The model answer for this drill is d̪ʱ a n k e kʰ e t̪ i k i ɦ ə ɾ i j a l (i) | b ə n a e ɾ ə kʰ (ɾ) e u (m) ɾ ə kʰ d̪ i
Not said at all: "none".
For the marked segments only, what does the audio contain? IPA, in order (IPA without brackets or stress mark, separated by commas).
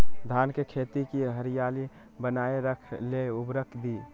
i, l, b